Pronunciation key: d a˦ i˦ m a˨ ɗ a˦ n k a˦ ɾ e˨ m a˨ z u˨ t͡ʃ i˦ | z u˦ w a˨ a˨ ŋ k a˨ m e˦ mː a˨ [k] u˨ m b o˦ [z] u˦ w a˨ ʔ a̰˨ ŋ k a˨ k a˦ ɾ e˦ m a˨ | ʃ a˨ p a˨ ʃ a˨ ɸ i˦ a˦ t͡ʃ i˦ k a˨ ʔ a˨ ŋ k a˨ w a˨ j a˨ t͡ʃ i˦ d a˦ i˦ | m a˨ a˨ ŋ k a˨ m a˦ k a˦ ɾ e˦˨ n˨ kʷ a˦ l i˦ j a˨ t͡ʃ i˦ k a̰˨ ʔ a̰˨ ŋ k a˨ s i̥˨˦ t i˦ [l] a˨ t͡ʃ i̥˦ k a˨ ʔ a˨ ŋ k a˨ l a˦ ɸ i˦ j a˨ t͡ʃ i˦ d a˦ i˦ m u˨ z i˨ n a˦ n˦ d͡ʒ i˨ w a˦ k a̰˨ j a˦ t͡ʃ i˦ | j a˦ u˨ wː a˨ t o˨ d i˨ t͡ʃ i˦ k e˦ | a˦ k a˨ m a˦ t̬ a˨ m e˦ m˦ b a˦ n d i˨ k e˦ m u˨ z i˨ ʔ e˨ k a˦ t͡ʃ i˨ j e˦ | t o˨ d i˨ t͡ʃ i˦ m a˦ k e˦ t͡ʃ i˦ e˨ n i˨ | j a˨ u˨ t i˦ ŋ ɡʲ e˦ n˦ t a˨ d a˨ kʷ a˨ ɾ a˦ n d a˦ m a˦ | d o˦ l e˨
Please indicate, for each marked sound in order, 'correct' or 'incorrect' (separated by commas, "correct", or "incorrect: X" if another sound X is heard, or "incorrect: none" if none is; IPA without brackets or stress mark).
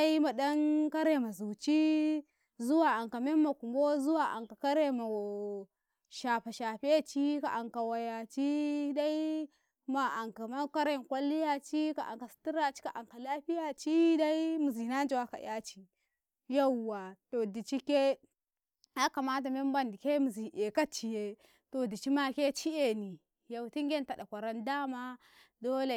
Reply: correct, correct, incorrect: ɾ